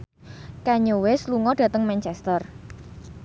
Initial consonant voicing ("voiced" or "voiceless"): voiceless